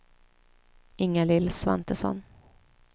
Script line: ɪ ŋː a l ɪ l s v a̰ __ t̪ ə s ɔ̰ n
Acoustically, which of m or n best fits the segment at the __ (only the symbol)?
n